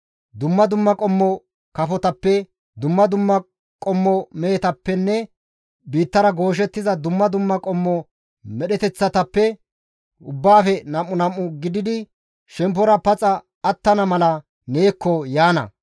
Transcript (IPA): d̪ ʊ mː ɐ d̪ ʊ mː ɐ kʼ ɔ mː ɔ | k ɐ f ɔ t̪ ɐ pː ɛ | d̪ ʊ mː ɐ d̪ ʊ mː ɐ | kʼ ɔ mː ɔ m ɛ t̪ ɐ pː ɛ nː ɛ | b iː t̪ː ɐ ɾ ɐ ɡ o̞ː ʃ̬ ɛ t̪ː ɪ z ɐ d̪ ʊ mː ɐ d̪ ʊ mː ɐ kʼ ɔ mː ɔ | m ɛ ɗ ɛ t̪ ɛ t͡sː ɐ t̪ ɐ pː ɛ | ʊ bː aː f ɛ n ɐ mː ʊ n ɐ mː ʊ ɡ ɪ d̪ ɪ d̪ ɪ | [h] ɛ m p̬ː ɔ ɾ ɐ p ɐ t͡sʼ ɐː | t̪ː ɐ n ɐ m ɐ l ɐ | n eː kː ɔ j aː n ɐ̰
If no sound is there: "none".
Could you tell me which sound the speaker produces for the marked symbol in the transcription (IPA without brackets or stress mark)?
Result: ʃ